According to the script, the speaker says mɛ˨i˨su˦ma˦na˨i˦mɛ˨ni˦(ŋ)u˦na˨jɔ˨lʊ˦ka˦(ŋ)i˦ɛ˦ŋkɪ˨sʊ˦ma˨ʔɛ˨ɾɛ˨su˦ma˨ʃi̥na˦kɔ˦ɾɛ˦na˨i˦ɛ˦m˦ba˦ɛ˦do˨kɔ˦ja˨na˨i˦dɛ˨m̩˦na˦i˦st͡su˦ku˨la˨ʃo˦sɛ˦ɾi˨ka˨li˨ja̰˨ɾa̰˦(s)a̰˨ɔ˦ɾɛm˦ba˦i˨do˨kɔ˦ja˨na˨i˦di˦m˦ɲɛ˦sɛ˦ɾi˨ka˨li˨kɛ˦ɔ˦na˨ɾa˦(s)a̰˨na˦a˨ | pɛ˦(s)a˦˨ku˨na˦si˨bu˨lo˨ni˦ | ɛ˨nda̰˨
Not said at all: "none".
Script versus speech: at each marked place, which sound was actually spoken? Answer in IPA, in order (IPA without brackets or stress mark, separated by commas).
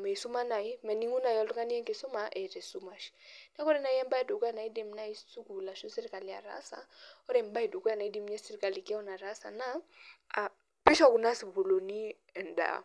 ŋ, n, s, s, ʃ